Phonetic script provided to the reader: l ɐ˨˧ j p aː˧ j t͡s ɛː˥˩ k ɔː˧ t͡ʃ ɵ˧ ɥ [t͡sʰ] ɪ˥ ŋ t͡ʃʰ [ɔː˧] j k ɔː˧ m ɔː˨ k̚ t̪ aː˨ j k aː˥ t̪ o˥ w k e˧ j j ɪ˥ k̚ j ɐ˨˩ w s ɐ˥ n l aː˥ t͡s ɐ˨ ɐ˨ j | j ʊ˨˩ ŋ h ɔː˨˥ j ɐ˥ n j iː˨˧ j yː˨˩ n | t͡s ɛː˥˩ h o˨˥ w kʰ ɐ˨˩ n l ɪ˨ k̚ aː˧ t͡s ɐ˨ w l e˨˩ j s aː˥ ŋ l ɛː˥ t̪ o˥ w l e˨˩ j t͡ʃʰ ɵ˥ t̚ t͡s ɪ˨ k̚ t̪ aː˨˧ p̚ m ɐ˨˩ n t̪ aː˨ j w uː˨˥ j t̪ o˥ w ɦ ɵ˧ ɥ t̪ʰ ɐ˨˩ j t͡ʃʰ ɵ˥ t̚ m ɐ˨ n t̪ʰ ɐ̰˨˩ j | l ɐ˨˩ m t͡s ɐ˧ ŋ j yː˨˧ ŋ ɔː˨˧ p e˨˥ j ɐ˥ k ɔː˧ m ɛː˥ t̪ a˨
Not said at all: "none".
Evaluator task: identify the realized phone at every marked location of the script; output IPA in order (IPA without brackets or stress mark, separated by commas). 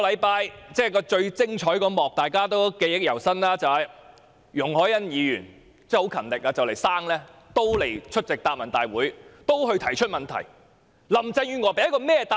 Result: t͡s, ɔː˨˥